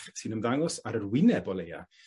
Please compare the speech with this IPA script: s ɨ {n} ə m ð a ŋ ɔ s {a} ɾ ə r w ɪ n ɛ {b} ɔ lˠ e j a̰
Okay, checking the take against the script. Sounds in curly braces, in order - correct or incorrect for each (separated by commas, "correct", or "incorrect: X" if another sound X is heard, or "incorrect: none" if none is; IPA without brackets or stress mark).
correct, correct, correct